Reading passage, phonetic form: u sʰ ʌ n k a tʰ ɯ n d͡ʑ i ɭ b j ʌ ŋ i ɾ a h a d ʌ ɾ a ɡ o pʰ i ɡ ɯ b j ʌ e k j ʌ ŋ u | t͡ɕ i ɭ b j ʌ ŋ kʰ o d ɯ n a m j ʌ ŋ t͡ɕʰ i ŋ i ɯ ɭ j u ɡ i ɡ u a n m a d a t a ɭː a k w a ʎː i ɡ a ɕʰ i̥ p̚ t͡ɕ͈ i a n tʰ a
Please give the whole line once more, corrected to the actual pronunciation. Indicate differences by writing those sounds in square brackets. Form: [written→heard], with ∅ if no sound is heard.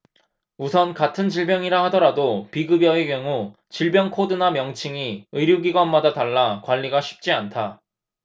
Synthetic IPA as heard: u sʰ ʌ n k a tʰ ɯ n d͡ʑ i ɭ b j ʌ ŋ i ɾ a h a d ʌ ɾ a [ɡ→d] o [pʰ→p] i ɡ ɯ b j ʌ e k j ʌ ŋ u | t͡ɕ i ɭ b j ʌ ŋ kʰ o d ɯ n a m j ʌ ŋ t͡ɕʰ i ŋ i ɯ [ɭ→ɾ] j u ɡ i ɡ [u→w] a n m a d a t a ɭː a k w a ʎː i ɡ a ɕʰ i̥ p̚ t͡ɕ͈ i a n tʰ a